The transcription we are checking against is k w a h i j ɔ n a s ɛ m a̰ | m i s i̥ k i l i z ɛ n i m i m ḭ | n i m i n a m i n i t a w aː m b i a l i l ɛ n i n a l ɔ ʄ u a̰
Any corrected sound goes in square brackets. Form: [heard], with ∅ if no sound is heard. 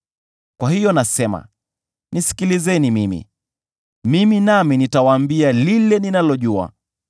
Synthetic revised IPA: k w a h i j ɔ n a s ɛ m a̰ | [n] i s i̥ k i l i z ɛ n i m i m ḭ | [m] i m i n a m i n i t a w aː m b i a l i l ɛ n i n a l ɔ ʄ u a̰

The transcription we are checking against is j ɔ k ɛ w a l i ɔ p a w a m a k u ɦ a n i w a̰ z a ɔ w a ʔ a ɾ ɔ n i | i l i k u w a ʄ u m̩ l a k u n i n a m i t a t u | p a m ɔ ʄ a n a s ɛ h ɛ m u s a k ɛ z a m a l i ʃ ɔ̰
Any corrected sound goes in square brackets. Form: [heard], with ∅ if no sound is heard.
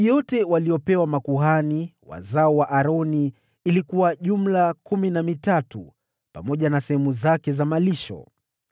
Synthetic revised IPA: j ɔ [t] ɛ w a l i ɔ p [ɛ] w a m a k u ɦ a n i w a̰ z a ɔ w a ʔ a ɾ ɔ n i | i l i k u w a ʄ u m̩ l a k u [m] i n a m i t a t u | p a m ɔ ʄ a n a s ɛ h ɛ m u [z] a k ɛ z a m a l i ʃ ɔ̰

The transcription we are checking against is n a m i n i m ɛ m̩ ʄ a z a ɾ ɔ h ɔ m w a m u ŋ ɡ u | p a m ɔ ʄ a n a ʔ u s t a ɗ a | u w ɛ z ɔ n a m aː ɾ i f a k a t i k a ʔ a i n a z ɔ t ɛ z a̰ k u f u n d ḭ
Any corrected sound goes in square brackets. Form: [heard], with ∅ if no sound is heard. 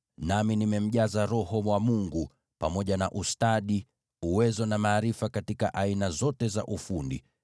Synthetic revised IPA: n a m i n i m ɛ m̩ ʄ a z a ɾ ɔ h ɔ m w a m u ŋ ɡ u | p a m ɔ ʄ a n a ʔ u s t a ɗ [i] | u w ɛ z ɔ n a m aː ɾ i f a k a t i k a ʔ a i n a z ɔ t ɛ z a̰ [ʔ] u f u n d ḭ

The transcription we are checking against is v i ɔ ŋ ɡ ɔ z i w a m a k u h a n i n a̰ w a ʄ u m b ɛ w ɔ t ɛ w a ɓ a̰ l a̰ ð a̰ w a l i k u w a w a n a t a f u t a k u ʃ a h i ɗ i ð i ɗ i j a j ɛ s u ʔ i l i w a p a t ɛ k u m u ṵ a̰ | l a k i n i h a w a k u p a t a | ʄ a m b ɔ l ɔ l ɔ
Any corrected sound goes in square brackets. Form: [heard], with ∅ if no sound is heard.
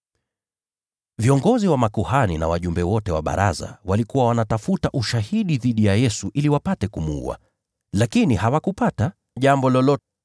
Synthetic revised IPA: v i ɔ ŋ ɡ ɔ z i w a m a k u h a n i n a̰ w a ʄ u m b ɛ w ɔ t ɛ w a ɓ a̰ [ɾ] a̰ [z] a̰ w a l i k u w a w a n a t a f u t a [ʔ] u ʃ a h i ɗ i ð i ɗ i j a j ɛ s u ʔ i l i w a p a t ɛ k u m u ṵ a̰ | l a k i n i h a w a k u p a t a | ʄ a m b ɔ l ɔ l ɔ

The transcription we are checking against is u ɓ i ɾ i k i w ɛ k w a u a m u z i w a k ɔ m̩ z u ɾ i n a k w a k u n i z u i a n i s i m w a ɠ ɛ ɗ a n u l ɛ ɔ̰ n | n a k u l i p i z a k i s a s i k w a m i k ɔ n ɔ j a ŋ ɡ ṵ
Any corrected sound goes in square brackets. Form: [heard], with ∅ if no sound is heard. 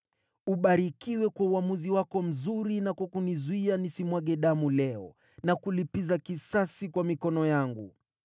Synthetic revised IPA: u ɓ [a] ɾ i k i w ɛ k w a u a m u z i w a k ɔ m̩ z u ɾ i n a k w a k u n i z u i a n i s i m w a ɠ ɛ ɗ a [m] u l ɛ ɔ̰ [∅] | n a k u l i p i z a k i s a s i k w a m i k ɔ n ɔ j a ŋ ɡ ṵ

